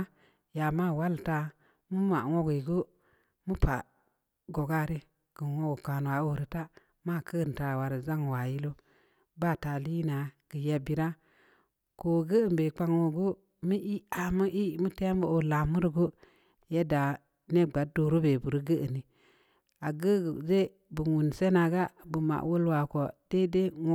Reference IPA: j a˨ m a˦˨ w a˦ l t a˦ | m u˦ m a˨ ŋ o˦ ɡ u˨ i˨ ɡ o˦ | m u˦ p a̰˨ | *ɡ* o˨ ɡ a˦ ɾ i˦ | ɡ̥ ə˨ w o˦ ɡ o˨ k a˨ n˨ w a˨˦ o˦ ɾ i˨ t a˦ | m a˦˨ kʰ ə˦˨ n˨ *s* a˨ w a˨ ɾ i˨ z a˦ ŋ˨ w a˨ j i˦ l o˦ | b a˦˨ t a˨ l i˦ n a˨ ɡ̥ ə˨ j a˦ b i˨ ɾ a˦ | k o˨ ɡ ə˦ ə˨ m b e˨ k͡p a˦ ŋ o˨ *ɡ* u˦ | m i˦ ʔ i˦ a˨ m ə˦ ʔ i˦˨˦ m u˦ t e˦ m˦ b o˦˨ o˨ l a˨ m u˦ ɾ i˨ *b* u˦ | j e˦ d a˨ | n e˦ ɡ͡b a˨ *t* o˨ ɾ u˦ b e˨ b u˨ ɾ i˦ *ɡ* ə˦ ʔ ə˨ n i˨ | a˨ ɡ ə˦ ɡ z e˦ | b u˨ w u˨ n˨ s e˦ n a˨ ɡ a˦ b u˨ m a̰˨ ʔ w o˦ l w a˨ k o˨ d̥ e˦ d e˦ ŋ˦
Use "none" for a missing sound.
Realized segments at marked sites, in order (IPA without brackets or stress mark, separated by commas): ɡ, t, ɡ, ɡ, d, ɡ